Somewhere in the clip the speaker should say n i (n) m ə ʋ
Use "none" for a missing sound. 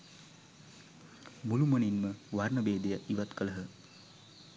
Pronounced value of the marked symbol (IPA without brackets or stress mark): n